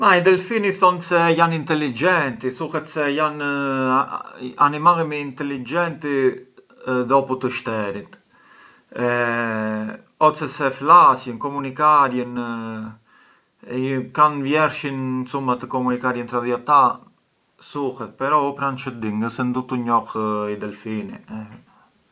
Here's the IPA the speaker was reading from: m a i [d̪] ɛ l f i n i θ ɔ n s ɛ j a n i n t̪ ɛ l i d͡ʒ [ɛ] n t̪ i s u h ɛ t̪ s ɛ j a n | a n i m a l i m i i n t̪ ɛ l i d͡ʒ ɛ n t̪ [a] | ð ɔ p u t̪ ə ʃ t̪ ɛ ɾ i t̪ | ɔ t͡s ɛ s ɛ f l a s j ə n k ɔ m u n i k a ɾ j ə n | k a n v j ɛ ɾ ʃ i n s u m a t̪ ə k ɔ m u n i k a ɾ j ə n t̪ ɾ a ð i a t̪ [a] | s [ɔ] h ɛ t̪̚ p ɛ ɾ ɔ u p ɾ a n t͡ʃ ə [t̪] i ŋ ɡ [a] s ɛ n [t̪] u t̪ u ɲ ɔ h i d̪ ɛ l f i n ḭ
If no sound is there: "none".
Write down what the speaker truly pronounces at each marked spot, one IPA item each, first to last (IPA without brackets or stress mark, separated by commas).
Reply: d̪, ɛ, i, a, u, d̪, ə, d̪